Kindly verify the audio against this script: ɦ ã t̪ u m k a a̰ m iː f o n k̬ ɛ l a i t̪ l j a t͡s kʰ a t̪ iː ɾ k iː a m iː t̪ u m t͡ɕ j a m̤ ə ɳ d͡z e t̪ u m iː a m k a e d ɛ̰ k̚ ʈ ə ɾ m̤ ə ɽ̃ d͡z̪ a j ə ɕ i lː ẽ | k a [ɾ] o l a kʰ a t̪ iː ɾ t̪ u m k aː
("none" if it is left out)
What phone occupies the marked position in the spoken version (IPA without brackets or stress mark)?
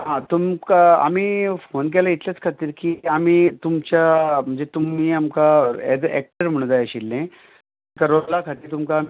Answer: ɾ